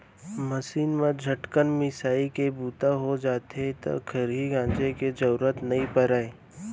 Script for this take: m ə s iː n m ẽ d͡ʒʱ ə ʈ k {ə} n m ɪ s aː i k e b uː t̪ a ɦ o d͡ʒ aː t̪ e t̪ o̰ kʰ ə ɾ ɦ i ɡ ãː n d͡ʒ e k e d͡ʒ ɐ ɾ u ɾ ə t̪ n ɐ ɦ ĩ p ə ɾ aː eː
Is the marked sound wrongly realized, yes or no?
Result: no